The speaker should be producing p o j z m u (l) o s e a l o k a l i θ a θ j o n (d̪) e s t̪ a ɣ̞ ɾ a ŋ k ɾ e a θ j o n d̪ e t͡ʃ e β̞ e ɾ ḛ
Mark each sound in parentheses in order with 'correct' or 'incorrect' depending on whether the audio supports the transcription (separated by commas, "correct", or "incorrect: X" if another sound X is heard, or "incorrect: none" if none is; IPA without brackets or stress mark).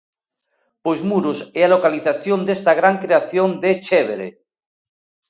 incorrect: ɾ, correct